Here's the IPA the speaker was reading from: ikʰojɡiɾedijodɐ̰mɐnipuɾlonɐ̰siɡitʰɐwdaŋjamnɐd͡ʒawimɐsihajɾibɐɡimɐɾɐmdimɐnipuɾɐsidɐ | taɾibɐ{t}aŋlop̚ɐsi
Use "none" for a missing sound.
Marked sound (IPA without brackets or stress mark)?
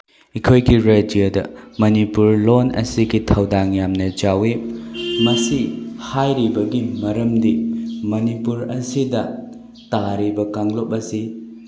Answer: k